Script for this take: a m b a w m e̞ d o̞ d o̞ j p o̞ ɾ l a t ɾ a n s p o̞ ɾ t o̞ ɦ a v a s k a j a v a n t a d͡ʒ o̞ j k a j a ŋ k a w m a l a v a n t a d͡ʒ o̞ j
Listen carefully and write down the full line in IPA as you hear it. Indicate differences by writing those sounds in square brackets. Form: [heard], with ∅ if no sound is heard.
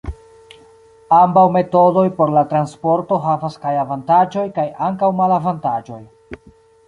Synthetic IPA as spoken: a m b a w m e̞ [t] o̞ d o̞ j p o̞ ɾ l a t ɾ a n s p o̞ ɾ t o̞ ɦ a v a s k a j a v a n t a d͡ʒ o̞ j k a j a ŋ k a w m a l a v a n t a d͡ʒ o̞ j